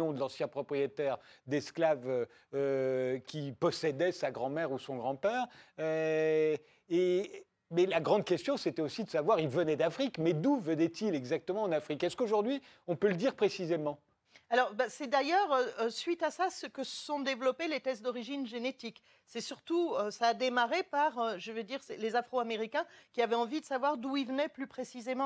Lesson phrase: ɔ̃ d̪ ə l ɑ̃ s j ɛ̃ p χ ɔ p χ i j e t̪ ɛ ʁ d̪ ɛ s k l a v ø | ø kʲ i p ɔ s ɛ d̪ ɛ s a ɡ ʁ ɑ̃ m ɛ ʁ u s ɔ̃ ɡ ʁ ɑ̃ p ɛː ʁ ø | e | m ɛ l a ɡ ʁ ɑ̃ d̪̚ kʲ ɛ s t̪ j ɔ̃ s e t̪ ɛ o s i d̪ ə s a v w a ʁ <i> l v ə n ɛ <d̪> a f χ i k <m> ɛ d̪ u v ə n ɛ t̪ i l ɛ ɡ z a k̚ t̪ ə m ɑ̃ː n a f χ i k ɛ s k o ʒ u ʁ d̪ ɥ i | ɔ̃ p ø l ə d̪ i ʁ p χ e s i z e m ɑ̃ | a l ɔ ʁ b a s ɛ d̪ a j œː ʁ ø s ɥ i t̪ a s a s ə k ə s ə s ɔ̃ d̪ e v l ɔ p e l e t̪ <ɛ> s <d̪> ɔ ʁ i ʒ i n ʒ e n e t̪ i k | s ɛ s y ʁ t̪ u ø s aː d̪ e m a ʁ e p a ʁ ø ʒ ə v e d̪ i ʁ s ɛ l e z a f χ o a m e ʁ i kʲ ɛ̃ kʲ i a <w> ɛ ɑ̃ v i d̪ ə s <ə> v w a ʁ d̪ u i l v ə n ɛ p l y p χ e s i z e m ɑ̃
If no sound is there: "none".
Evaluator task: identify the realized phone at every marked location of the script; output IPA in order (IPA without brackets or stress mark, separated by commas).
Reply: i, d̪, m, ɛ, d̪, v, a